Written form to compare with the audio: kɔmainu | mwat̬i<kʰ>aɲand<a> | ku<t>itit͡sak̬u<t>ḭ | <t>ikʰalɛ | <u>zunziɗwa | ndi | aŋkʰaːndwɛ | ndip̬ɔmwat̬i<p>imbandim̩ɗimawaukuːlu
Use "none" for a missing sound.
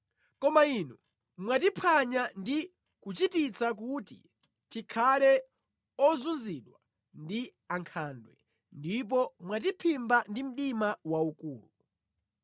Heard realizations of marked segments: pʰ, i, t͡ʃ, t, t, ɔ, pʰ

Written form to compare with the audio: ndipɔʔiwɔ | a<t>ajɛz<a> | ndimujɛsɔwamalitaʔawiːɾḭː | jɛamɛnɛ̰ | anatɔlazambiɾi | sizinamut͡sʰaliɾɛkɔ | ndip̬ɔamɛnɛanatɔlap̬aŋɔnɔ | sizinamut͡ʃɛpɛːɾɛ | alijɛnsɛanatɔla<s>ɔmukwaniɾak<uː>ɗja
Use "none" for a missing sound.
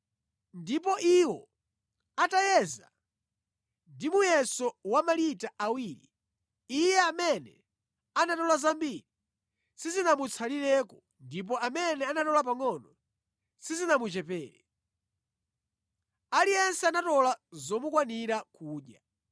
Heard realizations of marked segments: t, a, z, uː

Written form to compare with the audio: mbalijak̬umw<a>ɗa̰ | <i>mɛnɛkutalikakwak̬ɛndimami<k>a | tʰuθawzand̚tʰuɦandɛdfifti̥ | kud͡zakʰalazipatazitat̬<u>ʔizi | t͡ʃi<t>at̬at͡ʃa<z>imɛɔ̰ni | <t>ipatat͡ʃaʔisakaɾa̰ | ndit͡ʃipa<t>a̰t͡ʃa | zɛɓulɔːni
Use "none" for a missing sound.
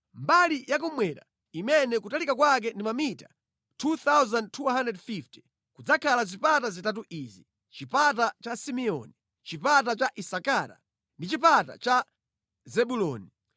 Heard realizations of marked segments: ɛ, i, t, u, p, s, t͡ʃ, t

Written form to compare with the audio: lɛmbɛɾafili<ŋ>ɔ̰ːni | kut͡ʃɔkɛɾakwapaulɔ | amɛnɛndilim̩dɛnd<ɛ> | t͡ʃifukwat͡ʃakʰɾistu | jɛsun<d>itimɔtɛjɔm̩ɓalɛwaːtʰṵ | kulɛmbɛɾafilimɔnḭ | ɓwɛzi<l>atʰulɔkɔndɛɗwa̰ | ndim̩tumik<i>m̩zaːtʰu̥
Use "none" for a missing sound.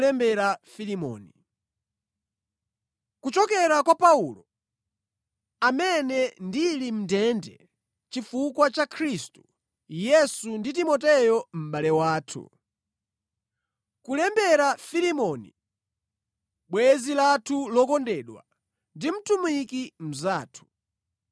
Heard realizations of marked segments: m, ɛ, d, l, i

